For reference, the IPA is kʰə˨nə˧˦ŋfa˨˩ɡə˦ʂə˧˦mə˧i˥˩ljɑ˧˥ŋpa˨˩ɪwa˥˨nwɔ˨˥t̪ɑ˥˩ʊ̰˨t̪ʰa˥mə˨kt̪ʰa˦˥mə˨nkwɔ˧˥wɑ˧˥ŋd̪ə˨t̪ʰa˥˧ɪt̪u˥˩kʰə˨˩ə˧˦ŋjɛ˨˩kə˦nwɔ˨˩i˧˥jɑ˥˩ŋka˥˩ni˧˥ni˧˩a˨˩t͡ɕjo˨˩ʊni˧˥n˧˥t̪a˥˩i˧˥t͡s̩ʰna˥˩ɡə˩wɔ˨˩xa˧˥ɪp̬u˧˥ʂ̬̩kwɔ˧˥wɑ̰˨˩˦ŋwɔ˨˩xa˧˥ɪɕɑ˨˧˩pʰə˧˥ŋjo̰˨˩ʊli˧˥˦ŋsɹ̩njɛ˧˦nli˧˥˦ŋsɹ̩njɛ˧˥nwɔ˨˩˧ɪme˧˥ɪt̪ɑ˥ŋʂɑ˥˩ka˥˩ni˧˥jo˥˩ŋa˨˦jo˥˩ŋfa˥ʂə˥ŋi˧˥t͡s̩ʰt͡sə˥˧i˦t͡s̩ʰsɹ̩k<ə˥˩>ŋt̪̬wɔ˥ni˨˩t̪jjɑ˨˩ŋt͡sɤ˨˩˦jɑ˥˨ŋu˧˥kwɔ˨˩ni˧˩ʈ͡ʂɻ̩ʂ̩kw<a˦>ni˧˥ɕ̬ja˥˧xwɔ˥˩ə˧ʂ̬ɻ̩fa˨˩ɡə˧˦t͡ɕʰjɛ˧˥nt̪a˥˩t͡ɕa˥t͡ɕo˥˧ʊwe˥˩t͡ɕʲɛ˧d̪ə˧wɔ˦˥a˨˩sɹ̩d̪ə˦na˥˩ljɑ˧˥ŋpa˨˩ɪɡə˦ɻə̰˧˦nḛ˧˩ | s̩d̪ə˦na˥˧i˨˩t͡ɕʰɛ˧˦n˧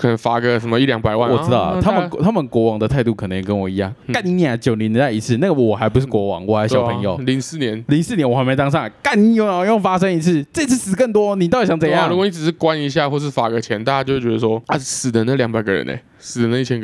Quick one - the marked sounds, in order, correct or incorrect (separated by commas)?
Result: correct, correct